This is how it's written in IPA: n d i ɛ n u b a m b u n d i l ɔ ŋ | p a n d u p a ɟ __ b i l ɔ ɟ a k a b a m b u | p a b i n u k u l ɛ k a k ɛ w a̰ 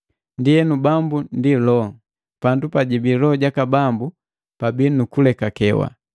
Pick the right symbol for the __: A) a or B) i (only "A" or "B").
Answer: B